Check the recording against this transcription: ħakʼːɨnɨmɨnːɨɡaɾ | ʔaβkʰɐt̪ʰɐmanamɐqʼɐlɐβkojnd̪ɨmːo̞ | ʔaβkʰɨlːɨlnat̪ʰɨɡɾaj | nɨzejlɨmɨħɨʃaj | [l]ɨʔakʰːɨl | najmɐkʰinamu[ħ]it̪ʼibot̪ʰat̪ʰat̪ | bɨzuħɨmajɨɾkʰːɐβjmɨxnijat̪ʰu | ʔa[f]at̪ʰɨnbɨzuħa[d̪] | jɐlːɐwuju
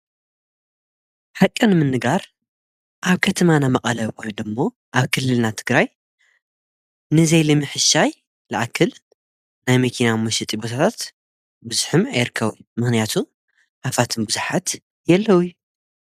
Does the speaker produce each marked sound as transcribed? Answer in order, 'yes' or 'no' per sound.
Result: yes, no, yes, no

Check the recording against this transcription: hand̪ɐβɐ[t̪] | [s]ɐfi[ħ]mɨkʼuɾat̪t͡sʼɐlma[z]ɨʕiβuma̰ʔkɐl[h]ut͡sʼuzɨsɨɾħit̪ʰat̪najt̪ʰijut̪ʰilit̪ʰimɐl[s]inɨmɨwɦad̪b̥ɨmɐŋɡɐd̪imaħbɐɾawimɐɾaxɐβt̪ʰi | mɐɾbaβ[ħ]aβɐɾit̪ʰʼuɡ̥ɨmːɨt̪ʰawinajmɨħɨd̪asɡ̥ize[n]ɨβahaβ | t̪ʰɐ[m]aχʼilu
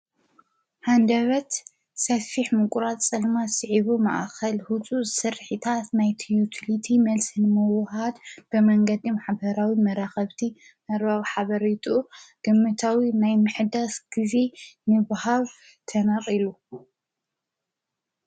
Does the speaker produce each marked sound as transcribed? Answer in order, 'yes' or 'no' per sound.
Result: yes, yes, yes, no, yes, yes, yes, yes, no

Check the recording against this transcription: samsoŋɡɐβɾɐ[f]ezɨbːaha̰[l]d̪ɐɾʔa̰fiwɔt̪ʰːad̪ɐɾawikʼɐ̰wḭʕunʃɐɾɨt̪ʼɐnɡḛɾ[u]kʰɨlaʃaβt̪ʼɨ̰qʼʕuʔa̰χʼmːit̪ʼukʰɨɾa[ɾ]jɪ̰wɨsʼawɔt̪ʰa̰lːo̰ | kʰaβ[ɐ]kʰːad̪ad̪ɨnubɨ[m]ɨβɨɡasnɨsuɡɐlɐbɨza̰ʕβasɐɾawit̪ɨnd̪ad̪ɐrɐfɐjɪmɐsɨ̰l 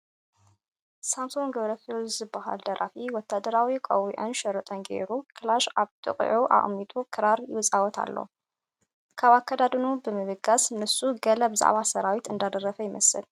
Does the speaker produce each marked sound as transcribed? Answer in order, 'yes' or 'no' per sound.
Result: yes, yes, yes, yes, no, yes

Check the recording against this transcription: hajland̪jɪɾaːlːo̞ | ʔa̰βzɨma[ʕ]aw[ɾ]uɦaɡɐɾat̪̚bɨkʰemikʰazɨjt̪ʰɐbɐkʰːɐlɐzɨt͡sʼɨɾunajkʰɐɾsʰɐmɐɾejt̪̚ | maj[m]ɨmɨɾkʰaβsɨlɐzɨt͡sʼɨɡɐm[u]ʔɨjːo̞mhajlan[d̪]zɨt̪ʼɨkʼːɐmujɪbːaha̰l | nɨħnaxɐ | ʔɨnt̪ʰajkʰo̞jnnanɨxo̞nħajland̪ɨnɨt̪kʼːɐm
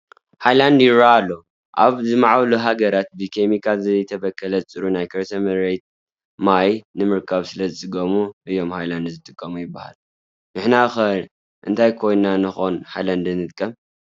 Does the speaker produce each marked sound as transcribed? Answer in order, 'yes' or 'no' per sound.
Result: yes, no, no, yes, yes

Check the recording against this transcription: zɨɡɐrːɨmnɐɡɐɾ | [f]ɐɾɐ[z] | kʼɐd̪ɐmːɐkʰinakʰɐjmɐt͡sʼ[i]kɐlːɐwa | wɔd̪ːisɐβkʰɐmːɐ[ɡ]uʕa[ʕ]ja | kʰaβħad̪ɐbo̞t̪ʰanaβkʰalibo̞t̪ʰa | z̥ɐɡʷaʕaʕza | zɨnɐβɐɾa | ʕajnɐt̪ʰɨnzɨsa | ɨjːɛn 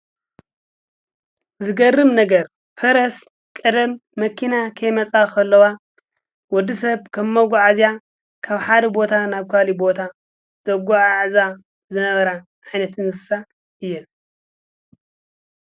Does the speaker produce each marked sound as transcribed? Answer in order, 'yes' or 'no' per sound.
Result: yes, no, no, yes, no

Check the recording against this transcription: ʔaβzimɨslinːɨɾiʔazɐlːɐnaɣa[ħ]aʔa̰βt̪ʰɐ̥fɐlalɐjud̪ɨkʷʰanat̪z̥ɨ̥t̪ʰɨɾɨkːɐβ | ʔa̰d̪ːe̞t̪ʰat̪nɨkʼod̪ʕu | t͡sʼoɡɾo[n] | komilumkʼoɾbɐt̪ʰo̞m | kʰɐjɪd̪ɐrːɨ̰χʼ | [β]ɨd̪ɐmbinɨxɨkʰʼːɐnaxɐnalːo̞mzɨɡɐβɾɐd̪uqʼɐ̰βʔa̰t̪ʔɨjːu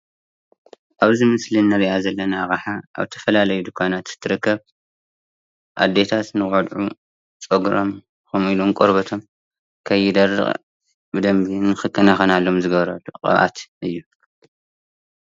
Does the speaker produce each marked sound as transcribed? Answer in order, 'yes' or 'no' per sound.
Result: yes, no, no

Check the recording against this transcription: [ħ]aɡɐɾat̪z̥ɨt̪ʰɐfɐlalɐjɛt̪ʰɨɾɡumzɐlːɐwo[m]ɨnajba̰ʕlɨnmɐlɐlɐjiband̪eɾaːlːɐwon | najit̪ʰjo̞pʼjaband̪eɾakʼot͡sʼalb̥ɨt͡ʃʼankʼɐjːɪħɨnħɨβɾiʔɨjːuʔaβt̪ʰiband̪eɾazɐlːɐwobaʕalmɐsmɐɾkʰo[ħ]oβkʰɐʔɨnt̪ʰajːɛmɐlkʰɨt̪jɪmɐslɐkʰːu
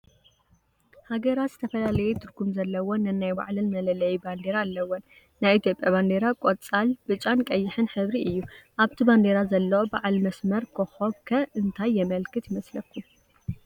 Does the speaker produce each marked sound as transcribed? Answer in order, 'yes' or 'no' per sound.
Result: no, no, no

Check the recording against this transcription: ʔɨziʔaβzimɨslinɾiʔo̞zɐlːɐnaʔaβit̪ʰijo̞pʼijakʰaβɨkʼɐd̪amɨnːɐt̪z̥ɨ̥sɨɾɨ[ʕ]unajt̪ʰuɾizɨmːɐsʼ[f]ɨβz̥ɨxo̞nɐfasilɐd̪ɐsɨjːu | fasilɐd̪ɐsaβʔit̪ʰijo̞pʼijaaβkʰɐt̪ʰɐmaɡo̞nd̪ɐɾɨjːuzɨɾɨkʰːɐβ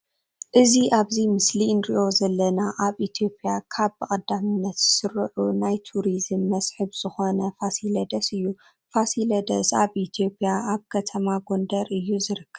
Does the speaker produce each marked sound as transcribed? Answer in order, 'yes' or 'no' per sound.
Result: yes, no

